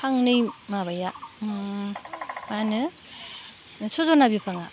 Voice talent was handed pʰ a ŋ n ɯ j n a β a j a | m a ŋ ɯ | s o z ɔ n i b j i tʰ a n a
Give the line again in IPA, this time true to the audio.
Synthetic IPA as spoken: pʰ a ŋ n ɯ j m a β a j a | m a n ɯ | s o z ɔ n a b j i pʰ a ŋ a